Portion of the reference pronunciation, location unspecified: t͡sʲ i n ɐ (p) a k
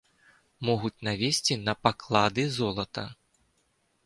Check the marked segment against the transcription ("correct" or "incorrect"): correct